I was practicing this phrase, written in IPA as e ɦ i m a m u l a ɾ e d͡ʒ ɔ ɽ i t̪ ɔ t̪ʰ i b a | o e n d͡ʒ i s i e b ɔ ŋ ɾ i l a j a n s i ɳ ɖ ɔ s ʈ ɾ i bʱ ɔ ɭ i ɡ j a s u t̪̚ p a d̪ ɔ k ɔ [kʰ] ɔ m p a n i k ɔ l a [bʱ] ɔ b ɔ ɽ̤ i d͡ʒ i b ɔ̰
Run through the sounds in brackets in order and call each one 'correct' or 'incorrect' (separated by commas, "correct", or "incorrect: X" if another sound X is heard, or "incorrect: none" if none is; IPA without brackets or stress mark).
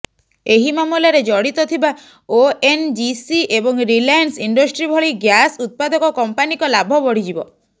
incorrect: k, correct